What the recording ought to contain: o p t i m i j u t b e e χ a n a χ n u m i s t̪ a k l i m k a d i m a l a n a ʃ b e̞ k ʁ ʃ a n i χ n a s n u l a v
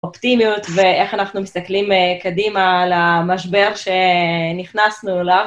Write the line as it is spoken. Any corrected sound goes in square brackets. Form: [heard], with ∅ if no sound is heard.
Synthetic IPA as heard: o p t i m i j u t [v] e e χ a n a χ n u m i s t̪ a k l i m k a d i m a l a [m] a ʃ b e̞ [∅] ʁ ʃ [e] n i χ n a s n u l a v